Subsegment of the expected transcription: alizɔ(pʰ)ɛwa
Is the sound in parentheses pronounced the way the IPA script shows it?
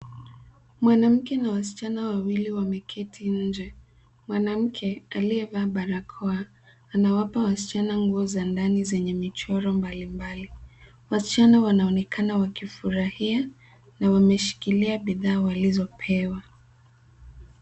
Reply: yes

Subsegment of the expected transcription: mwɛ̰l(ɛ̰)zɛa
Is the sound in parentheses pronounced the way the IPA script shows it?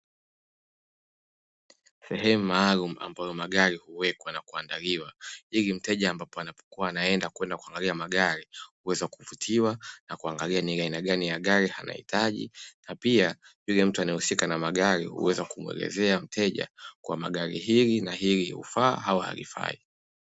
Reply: yes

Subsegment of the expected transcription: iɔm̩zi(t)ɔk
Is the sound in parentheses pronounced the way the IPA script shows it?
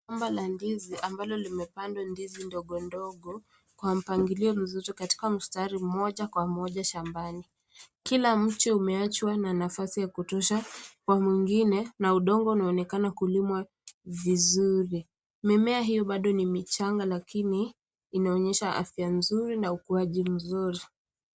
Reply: yes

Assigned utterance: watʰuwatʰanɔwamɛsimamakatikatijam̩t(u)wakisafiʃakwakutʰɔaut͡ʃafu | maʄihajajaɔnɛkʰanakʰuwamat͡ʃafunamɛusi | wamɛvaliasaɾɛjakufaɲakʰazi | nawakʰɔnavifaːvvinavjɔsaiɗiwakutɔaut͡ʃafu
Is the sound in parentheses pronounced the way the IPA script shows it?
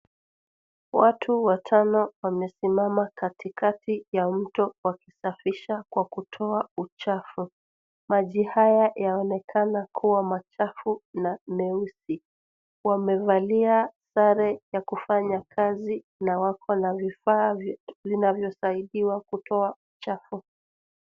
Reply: no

